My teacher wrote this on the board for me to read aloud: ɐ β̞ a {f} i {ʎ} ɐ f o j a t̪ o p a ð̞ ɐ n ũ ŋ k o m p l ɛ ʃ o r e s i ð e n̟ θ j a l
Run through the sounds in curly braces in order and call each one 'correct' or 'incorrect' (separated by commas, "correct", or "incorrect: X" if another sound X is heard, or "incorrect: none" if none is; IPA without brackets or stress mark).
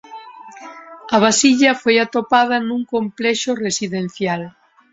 incorrect: s, correct